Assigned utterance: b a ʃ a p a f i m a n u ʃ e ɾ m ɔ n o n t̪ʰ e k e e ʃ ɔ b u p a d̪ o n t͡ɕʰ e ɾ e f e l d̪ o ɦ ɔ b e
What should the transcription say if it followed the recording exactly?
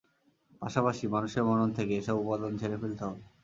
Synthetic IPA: p a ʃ a p a ʃ i m a n u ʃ e ɾ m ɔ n o n t̪ʰ e k e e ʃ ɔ b u p a d̪ o n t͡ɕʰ e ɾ e f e l t̪ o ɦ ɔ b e